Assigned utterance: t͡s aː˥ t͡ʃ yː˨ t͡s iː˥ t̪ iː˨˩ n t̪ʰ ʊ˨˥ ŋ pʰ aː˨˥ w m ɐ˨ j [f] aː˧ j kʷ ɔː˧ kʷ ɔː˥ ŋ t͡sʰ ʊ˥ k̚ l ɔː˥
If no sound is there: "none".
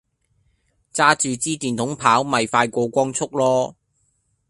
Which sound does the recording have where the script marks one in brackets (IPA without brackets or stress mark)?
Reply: f